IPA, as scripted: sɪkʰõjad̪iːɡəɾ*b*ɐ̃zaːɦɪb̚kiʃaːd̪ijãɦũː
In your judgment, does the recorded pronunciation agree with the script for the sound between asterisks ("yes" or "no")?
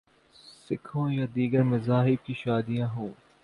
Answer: no